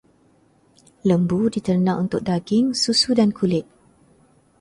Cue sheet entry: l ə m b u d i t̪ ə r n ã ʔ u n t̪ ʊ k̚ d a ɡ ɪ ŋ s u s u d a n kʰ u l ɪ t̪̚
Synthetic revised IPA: l ə m b u d i t̪ ə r n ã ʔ u n t̪ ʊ k̚ d a ɡ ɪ ŋ s u s u d a n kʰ u l ɪ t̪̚

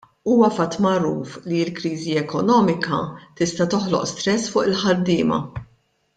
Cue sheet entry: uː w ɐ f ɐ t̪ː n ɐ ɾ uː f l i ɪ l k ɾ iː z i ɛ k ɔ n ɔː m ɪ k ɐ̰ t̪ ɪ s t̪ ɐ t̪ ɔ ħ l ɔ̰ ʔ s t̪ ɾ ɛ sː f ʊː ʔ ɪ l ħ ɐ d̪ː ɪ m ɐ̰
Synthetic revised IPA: uː w ɐ f ɐ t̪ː m ɐ ɾ uː f l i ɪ l k ɾ iː z i ɛ k ɔ n ɔː m ɪ k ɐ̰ t̪ ɪ s t̪ ɐ t̪ ɔ ħ l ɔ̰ ʔ s t̪ ɾ ɛ sː f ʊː ʔ ɪ l ħ ɐ d̪ː ɪː m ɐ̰

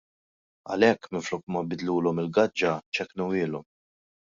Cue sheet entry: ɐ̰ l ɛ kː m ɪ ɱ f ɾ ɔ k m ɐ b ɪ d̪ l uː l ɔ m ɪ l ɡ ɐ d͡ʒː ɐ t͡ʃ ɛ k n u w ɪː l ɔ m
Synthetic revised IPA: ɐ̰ l ɛ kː m ɪ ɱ f l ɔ k m ɐ b ɪ d̪ l uː l ɔ m ɪ l ɡ ɐ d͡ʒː ɐ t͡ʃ ɛ k n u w ɪː l ɔ m

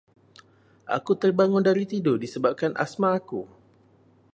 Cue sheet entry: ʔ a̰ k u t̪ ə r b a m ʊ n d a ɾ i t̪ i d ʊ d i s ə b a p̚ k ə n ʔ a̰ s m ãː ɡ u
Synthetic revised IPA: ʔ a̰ k u t̪ ə r b a ŋ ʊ n d a ɾ i t̪ i d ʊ d i s ə b a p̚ k a n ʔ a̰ s m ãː k u

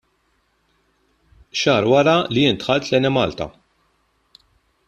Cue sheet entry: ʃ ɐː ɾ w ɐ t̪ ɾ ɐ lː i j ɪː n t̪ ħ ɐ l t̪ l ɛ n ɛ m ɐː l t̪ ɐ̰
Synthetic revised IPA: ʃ ɐː ɾ w ɐ ɾ ɐ l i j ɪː n t̪ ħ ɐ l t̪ l ɛ n ɛ m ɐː l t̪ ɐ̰

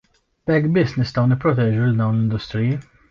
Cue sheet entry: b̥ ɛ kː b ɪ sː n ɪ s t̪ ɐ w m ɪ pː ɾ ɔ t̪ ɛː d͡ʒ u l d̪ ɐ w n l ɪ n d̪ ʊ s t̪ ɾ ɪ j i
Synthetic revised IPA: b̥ ɛ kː b ɪ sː n ɪ s t̪ ɐ w n ɪ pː ɾ ɔ t̪ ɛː d͡ʒ u l d̪ ɐ w n l ɪ n d̪ ʊ s t̪ ɾ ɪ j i

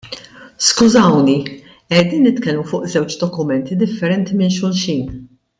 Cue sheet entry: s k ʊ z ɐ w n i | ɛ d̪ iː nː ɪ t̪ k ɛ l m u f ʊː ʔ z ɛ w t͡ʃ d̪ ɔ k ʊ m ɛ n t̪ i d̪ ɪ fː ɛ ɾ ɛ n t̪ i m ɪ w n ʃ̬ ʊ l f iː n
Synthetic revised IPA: s k ʊ z ɐ w n i | ɛ d̪ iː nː ɪ t̪ k ɛ l m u f ʊː ʔ z ɛ w t͡ʃ d̪ ɔ k ʊ m ɛ n t̪ i d̪ ɪ fː ɛ ɾ ɛ n t̪ i m ɪ n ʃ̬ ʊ l ʃ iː n

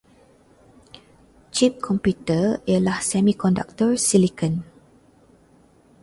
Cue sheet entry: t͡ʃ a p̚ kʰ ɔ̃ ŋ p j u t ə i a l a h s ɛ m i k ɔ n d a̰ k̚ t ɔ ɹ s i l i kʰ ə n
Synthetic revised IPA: t͡ʃ i p̚ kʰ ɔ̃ m p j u t ə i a l a h s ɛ m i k ɔ n d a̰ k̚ t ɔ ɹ s i l i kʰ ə n

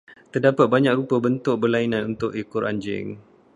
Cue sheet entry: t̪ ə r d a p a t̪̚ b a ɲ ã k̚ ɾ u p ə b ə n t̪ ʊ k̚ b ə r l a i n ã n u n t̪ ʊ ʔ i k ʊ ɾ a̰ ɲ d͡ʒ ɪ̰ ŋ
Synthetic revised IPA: t̪ ə r d a p a t̪̚ b a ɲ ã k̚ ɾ u p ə b ə n t̪ ʊ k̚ b ə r l a i n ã n u n t̪ ʊ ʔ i k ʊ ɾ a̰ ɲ d͡ʒ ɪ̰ ŋ

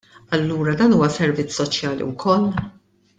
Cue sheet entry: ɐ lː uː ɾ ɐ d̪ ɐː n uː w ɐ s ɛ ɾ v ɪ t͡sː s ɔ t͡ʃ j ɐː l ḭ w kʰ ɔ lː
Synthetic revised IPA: ɐ lː uː ɾ ɐ d̪ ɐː n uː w ɐ s ɛ ɾ v ɪ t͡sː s ɔ t͡ʃ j ɐː l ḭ w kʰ ɔ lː

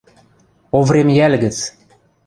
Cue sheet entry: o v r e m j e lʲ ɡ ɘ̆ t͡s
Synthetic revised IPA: o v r e m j æ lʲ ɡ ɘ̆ t͡s

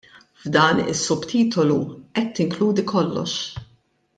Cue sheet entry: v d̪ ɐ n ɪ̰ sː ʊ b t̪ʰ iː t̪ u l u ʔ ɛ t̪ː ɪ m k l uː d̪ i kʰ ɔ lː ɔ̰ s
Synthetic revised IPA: v d̪ ɐː n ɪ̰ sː ʊ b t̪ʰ iː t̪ ɔ l u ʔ ɛ t̪ː ɪ ŋ k l uː d̪ i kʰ ɔ lː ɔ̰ ʃ

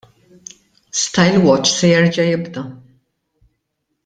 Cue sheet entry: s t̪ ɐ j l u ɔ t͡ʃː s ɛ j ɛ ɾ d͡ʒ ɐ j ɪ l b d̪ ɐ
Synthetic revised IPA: s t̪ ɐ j l w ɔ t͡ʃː s ɛ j ɛ ɾ d͡ʒ ɐ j ɪ b d̪ ɐ

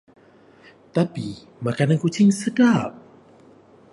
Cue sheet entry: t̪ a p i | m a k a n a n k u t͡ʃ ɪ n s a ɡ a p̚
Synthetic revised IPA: t̪ a p i | m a k a n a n k u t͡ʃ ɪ ŋ s ə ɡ a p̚

